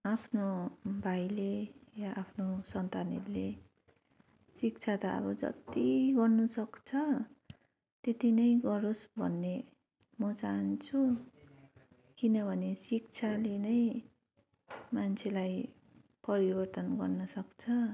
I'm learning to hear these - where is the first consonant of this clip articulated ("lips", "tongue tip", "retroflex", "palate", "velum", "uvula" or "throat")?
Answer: lips